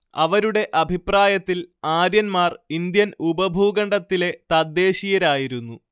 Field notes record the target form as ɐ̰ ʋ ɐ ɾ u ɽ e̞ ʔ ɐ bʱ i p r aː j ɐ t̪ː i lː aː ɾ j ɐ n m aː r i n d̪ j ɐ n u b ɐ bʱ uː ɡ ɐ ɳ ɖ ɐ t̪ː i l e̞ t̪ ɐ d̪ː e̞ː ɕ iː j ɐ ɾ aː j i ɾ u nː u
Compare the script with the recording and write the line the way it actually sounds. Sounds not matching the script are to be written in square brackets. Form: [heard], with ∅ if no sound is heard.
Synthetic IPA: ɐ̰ ʋ ɐ ɾ u ɽ e̞ ʔ ɐ bʱ i p r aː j ɐ t̪ː i [l] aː ɾ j ɐ n m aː r i n d̪ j ɐ n u b ɐ bʱ uː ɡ ɐ ɳ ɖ ɐ t̪ː i l e̞ t̪ ɐ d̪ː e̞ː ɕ [i] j ɐ ɾ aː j i ɾ u nː u